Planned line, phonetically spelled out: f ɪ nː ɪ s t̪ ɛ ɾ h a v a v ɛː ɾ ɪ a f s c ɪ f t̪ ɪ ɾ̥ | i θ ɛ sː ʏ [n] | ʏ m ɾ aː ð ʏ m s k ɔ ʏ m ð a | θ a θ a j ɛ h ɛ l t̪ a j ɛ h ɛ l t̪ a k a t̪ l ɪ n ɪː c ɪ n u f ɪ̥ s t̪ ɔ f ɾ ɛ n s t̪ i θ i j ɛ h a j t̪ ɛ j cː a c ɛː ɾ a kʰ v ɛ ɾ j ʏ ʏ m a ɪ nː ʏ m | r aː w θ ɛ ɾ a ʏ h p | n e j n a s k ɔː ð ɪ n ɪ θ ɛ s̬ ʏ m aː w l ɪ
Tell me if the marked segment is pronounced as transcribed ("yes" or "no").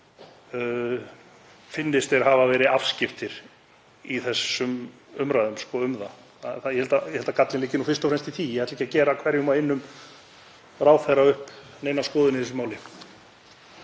no